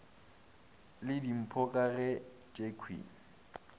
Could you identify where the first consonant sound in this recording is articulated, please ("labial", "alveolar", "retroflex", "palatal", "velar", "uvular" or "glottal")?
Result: alveolar